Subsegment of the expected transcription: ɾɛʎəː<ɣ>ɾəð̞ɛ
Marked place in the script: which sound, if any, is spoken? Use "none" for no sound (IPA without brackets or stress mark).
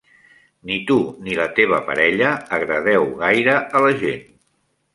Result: ɣ